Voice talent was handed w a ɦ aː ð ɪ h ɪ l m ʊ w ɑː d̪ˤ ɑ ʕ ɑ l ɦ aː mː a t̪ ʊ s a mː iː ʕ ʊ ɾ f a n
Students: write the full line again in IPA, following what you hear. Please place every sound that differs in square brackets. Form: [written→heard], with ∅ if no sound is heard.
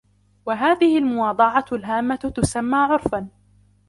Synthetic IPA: w a ɦ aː ð ɪ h ɪ l m ʊ w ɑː d̪ˤ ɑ ʕ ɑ l ɦ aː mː a t̪ ʊ s a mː [iː→aː] ʕ ʊ ɾ f a n